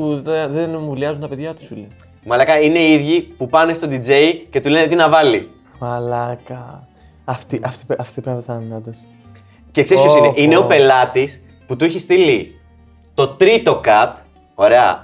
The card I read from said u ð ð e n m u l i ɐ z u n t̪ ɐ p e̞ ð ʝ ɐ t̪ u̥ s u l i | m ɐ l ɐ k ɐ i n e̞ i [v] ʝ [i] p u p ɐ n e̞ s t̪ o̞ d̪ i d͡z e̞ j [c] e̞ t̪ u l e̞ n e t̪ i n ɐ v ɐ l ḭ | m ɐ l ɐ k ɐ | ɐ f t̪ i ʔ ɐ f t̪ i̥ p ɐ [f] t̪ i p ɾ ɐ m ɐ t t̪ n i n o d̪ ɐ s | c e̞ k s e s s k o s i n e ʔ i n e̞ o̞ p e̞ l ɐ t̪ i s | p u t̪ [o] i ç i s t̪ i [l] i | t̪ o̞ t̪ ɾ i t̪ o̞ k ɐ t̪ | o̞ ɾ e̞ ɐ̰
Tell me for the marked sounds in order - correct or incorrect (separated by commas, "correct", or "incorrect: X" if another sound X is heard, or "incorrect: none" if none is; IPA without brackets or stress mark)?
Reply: incorrect: ð, correct, correct, correct, incorrect: u, correct